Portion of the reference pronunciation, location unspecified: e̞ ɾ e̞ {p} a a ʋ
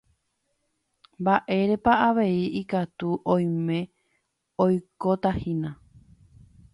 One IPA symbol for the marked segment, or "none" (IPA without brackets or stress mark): p